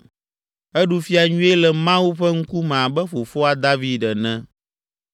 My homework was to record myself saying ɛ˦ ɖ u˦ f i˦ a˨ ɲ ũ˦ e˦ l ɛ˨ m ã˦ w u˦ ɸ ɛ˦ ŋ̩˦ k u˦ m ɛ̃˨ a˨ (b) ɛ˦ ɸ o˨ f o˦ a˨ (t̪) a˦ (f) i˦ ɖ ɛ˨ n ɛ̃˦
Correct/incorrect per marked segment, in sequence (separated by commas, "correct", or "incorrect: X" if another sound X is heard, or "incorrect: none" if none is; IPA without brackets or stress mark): correct, incorrect: d̪, incorrect: v